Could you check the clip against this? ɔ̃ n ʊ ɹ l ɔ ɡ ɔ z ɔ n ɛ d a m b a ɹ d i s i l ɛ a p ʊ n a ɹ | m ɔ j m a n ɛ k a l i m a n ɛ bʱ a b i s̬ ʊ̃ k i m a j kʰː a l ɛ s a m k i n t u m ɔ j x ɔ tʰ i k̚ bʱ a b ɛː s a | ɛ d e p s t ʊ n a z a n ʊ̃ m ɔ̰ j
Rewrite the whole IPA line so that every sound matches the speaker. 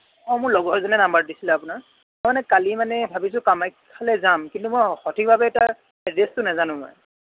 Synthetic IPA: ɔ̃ m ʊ ɹ l ɔ ɡ ɔ z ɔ n ɛ n a m b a ɹ d i s i l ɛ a p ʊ n a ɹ | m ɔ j m a n ɛ k a l i m a n ɛ bʱ a b i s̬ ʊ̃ k a m a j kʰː a l ɛ z a m k i n t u m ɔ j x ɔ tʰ i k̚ bʱ a b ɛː t a | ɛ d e s t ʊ n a z a n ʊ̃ m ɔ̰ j